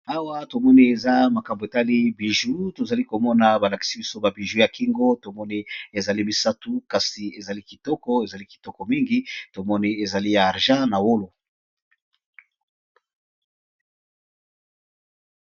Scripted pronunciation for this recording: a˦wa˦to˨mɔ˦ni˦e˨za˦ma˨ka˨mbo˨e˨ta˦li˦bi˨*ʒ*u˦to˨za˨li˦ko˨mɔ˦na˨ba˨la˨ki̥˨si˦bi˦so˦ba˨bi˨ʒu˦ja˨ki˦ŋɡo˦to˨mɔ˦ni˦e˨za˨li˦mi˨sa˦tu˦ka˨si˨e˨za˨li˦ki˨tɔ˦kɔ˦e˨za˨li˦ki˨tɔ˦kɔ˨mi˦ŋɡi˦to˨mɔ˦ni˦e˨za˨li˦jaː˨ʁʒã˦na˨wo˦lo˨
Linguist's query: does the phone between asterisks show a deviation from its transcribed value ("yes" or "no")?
no